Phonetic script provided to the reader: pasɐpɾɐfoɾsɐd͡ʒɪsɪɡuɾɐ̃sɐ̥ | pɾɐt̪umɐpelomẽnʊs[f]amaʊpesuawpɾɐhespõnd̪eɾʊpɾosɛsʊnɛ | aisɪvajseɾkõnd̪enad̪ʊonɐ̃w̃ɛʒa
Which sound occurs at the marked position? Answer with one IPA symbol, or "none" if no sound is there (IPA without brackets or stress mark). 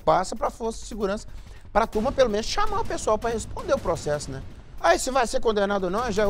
ʃ